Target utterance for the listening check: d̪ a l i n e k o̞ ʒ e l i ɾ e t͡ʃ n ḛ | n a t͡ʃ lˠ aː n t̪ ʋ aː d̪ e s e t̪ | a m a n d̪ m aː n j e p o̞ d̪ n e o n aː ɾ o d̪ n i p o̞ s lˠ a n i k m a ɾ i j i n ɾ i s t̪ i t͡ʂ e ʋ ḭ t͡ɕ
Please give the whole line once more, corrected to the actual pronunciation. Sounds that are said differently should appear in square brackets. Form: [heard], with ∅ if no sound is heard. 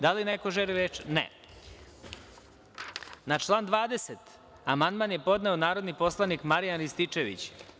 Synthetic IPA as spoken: d̪ a l i n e k o̞ ʒ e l i ɾ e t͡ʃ n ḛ | n a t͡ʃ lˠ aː n [d̪] ʋ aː d̪ e s e t̪ | a m a n d̪ m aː n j e p o̞ d̪ n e o n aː ɾ o d̪ n i p o̞ s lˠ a n i k m a ɾ i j [a] n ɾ i s t̪ i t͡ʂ e ʋ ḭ t͡ɕ